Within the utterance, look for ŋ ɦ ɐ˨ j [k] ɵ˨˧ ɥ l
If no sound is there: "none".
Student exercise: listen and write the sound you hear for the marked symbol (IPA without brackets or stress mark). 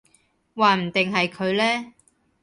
kʰ